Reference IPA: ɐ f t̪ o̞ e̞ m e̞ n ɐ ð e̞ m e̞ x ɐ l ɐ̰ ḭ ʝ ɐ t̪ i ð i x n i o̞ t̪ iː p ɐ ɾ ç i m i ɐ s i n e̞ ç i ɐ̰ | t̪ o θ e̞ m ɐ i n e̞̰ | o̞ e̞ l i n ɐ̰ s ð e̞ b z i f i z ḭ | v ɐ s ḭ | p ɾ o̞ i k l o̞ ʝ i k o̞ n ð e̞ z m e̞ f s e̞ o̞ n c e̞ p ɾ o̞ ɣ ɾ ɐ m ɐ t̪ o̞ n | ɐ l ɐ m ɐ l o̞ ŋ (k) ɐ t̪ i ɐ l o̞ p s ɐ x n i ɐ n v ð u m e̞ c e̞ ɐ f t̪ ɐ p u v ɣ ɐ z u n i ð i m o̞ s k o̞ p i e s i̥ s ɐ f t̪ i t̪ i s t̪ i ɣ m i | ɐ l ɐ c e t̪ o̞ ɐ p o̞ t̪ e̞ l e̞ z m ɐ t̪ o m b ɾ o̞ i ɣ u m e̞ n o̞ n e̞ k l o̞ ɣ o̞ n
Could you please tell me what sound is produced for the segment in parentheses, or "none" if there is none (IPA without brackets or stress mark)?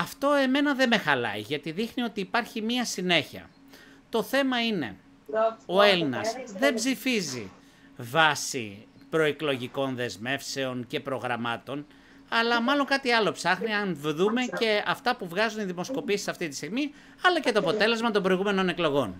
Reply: k